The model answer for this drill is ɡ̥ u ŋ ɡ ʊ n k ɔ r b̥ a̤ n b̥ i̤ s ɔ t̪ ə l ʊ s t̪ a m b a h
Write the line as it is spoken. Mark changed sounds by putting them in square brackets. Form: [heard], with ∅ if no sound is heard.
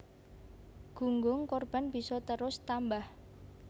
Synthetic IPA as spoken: ɡ̥ u ŋ ɡ ʊ [ŋ] k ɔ r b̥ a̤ n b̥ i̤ s ɔ t̪ ə [ɾ] ʊ s t̪ a m b a h

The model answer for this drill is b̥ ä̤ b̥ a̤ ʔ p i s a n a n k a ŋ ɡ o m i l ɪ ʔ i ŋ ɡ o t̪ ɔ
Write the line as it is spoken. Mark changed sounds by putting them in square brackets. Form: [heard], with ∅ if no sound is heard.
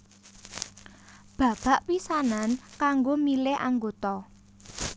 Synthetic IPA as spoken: b̥ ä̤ b̥ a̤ ʔ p i s a n a n k a ŋ ɡ o m i l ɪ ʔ [a] ŋ ɡ o t̪ ɔ

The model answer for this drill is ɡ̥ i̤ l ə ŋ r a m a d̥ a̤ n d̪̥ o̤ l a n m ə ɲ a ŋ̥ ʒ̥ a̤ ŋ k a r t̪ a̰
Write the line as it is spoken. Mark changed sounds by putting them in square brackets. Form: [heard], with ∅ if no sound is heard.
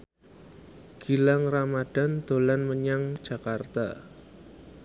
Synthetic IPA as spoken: ɡ̥ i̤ l [a] ŋ r a m a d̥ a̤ n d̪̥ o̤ l a n m ə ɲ a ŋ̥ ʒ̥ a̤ [∅] k a r t̪ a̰

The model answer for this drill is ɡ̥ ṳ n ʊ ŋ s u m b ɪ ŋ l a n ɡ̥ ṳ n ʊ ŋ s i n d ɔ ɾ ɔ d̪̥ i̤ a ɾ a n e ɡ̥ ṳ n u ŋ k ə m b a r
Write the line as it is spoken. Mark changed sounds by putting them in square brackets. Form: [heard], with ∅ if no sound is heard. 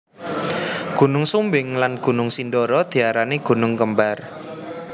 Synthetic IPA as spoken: ɡ̥ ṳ n ʊ ŋ s u m b ɪ ŋ l a n ɡ̥ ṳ n ʊ ŋ s i n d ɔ ɾ ɔ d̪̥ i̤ a ɾ a n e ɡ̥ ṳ n [ʊ] ŋ k ə m b a r

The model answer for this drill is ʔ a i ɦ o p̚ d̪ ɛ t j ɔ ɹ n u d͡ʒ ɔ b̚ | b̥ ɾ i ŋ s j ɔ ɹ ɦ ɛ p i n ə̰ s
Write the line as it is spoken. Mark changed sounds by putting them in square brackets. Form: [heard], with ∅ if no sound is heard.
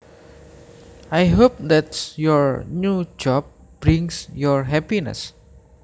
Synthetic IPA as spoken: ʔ a [j] ɦ o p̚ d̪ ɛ t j ɔ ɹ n u d͡ʒ ɔ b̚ | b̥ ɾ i ŋ s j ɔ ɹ ɦ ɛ p i n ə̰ s

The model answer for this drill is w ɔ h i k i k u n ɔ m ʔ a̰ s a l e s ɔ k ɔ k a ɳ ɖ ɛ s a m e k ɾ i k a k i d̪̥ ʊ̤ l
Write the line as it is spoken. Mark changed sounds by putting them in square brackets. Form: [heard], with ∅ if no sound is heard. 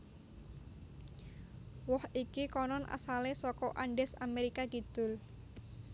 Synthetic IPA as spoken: w ɔ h i k i k [ɔ] n ɔ [n] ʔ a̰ s a l e s ɔ k ɔ [ʔ] a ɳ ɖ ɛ s a m e [∅] ɾ i k a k i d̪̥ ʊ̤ l

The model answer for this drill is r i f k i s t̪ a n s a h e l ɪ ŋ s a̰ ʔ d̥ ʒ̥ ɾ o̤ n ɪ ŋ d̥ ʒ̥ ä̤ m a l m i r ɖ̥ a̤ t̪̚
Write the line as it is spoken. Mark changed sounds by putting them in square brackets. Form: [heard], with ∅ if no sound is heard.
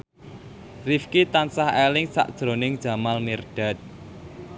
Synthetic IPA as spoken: r i f k i [∅] t̪ a n s a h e l ɪ ŋ s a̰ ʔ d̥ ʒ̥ ɾ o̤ n ɪ ŋ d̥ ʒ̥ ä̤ m a l m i r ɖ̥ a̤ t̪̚

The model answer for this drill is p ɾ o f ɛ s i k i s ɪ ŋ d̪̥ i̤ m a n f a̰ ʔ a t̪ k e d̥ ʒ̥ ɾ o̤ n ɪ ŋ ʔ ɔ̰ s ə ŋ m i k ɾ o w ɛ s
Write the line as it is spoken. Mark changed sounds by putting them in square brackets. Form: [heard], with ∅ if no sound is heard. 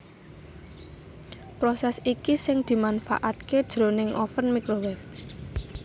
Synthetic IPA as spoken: p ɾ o [s] ɛ s i k i s ɪ ŋ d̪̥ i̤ m a n f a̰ ʔ a t̪ k e d̥ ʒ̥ ɾ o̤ n ɪ ŋ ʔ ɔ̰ [f] ə [n] m i k ɾ o w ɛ [f]

